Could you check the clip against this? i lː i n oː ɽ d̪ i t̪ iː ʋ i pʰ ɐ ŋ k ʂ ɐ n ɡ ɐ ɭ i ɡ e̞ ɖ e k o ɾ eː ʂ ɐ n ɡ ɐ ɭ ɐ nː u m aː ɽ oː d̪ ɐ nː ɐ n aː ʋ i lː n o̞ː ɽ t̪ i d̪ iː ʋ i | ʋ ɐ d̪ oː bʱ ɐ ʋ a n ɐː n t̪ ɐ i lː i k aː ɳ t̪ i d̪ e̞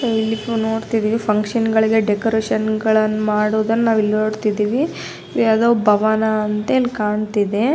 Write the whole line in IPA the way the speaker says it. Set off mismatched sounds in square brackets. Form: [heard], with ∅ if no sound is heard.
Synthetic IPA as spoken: i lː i n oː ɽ [t̪] i [d̪] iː ʋ i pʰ ɐ ŋ k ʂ ɐ n ɡ ɐ ɭ i ɡ e̞ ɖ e k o ɾ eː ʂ ɐ n ɡ ɐ ɭ ɐ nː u m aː ɽ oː d̪ ɐ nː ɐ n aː ʋ i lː n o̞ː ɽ t̪ i d̪ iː ʋ i | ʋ ɐ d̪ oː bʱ ɐ ʋ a n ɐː n t̪ ɐ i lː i k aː ɳ t̪ i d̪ e̞